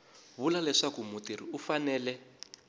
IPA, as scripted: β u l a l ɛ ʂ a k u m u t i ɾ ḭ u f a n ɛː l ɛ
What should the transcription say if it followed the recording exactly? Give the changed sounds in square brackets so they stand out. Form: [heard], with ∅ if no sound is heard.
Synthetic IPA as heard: β u l a l ɛ ʂ a k u m u t i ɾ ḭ u f a n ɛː l ɛ